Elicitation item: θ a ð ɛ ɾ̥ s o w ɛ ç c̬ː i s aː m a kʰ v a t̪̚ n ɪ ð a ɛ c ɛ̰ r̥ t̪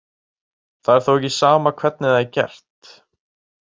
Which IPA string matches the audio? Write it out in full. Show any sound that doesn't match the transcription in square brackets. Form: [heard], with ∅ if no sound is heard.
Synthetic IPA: θ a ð ɛ ɾ̥ [θ] o w ɛ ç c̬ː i s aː m a kʰ v [ɛ] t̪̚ n ɪ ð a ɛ c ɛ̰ r̥ t̪